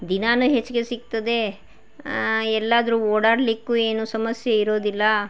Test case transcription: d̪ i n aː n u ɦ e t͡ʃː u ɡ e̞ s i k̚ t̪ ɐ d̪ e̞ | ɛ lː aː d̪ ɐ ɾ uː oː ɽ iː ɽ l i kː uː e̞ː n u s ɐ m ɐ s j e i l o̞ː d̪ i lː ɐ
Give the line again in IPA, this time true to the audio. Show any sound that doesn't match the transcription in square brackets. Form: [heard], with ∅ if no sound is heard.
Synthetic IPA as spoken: d̪ i n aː n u ɦ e t͡ʃː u ɡ e̞ s i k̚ t̪ ɐ d̪ e̞ | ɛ lː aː d̪ ɐ ɾ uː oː ɽ [aː] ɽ l i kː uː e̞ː n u s ɐ m ɐ s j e i [ɾ] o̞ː d̪ i lː ɐ